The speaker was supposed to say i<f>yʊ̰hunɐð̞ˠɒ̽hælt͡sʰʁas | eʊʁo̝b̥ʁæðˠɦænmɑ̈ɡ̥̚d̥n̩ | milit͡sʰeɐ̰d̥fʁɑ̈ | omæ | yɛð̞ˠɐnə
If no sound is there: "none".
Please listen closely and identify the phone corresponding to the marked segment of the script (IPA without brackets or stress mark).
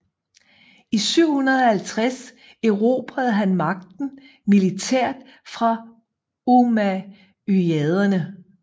s